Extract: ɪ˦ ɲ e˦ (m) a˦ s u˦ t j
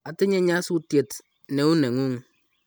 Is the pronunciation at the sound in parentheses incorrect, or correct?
incorrect: ɲ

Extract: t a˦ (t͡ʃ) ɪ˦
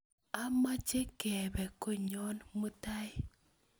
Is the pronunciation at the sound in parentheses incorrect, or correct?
incorrect: none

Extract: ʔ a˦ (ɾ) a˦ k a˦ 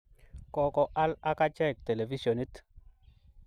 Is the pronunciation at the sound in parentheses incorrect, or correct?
incorrect: l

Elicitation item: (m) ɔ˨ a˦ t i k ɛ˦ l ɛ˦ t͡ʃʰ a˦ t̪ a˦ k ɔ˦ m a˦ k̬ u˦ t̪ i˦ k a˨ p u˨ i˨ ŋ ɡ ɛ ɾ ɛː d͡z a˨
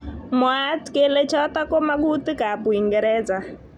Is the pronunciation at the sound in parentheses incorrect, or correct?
correct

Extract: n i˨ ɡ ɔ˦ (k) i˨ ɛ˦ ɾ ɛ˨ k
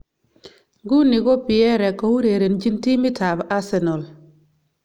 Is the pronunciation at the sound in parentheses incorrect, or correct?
incorrect: p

